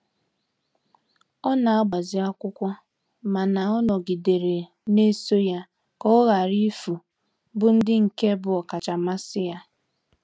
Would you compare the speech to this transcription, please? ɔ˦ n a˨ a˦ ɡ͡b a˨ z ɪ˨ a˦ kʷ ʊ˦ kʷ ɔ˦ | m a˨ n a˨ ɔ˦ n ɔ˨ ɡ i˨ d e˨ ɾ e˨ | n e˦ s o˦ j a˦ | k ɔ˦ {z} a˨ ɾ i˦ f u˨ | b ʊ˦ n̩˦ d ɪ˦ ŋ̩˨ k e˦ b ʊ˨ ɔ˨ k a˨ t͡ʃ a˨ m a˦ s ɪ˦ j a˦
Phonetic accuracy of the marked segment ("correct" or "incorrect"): incorrect